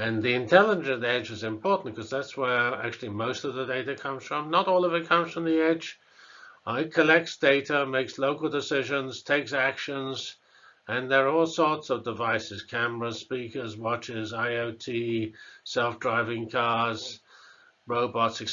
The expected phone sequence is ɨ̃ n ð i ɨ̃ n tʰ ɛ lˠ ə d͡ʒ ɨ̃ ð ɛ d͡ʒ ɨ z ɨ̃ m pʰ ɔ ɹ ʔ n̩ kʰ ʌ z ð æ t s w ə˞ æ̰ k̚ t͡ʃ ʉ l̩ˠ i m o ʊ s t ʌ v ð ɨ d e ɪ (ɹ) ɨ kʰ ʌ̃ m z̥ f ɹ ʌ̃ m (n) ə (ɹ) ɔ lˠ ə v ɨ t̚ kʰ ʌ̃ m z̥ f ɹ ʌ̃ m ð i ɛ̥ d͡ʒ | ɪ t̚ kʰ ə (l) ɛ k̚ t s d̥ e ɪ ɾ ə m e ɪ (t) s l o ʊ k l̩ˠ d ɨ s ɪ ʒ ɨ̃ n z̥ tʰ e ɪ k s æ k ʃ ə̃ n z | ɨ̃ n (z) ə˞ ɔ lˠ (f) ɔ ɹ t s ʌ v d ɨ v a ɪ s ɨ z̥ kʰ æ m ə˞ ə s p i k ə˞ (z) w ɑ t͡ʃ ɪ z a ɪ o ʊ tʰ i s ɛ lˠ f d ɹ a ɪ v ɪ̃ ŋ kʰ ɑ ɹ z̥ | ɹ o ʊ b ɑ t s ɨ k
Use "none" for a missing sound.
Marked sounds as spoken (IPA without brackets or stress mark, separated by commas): ɾ, n, ɾ, l, k, ð, s, z